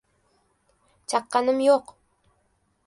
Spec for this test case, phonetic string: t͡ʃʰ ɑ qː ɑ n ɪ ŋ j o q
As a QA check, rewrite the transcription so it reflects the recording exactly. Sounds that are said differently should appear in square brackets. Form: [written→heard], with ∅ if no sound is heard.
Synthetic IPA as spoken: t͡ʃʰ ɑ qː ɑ n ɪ [ŋ→m] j o q